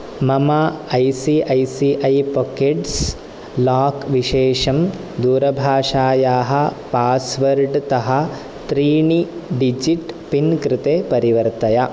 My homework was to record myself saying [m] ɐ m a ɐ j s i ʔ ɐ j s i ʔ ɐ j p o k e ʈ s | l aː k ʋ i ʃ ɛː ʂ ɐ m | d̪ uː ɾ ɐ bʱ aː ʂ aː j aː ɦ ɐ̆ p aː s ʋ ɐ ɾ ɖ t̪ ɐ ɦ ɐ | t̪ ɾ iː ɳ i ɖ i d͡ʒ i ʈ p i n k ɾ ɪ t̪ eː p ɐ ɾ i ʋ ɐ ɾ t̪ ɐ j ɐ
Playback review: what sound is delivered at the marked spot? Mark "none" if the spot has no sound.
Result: m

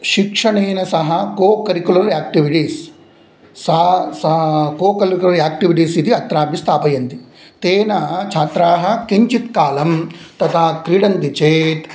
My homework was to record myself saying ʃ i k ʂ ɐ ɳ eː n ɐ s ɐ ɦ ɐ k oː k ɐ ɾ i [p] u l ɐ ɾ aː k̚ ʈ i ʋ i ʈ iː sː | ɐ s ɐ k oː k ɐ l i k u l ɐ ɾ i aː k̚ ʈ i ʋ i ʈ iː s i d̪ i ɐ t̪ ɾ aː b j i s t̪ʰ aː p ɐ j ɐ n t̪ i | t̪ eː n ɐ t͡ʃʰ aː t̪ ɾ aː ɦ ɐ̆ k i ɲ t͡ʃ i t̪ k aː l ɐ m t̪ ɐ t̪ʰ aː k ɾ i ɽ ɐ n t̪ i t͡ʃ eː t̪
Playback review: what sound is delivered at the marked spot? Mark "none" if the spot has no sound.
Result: k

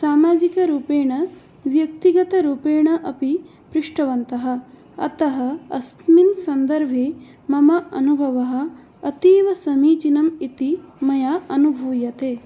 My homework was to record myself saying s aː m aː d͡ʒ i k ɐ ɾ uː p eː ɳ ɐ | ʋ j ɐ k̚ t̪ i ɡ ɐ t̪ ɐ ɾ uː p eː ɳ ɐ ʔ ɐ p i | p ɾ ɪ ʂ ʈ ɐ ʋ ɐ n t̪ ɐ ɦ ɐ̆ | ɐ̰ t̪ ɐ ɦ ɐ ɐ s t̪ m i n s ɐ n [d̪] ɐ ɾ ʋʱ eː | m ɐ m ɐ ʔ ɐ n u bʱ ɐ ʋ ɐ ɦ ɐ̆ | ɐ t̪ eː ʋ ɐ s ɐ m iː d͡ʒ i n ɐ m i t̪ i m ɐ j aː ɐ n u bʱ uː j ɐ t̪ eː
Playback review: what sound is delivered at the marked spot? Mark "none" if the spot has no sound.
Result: d̪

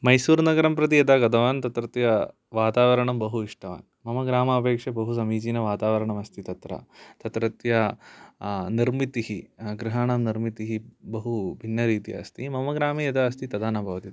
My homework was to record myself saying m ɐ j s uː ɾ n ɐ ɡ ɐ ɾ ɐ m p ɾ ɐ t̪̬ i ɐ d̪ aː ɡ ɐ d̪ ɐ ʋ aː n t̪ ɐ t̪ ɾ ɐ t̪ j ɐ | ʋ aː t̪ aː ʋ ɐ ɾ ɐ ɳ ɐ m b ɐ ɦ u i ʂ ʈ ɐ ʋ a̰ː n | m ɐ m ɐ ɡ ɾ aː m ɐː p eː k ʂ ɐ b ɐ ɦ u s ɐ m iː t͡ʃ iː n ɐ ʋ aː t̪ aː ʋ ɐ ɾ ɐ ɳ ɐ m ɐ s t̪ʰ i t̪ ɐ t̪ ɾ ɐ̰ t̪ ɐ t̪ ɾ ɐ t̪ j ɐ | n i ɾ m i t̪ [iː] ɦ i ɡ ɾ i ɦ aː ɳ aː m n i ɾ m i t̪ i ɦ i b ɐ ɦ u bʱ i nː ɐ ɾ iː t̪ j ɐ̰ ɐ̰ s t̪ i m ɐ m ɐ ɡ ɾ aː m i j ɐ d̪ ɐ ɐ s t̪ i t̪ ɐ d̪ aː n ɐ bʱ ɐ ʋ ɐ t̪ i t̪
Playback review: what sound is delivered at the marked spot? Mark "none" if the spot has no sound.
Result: i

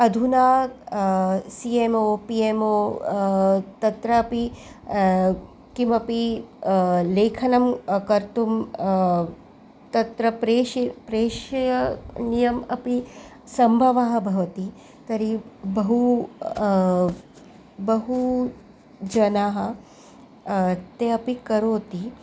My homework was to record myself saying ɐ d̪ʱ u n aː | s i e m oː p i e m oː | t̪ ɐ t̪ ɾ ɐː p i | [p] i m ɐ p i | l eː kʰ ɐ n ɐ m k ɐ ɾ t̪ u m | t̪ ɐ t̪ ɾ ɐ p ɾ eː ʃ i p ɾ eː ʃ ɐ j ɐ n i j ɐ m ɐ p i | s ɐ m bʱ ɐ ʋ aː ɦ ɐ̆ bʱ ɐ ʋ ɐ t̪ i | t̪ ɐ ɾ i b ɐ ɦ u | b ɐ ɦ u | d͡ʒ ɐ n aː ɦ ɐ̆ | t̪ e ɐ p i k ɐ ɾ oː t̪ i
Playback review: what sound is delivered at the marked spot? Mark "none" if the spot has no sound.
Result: k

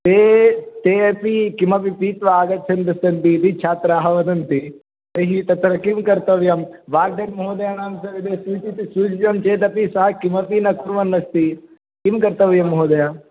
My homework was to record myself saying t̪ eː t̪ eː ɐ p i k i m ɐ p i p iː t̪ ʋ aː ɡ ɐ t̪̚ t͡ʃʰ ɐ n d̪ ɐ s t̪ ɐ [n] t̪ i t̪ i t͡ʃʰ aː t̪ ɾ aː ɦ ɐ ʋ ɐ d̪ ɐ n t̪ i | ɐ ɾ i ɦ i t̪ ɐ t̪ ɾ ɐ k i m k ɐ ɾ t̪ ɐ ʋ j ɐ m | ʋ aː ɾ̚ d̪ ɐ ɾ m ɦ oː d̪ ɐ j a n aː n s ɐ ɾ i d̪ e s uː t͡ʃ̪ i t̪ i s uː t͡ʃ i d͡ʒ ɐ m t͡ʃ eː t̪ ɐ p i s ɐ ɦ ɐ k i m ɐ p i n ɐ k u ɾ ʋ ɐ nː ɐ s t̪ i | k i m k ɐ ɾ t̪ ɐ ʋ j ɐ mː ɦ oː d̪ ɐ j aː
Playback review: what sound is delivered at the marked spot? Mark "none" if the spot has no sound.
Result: n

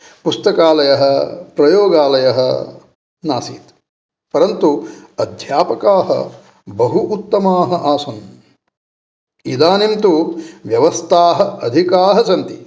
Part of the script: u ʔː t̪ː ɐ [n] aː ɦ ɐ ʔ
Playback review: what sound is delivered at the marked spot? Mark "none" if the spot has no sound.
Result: m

